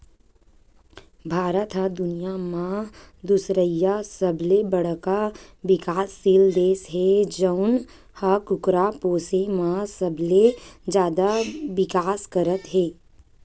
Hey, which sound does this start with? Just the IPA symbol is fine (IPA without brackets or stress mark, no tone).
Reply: bʱ